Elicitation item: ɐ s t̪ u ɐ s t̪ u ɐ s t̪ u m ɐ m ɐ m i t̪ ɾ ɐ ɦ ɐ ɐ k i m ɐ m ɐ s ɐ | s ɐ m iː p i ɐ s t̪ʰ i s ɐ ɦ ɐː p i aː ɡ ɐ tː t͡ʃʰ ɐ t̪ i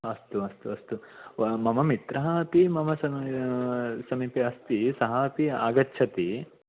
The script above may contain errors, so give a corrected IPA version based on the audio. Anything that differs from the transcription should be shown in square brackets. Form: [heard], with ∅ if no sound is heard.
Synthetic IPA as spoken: ɐ s t̪ u ɐ s t̪ u ɐ s t̪ u m ɐ m ɐ m i t̪ ɾ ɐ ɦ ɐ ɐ [p] i m ɐ m ɐ s ɐ | s ɐ m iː p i ɐ s [t̪] i s ɐ ɦ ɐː p i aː ɡ ɐ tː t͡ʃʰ ɐ t̪ i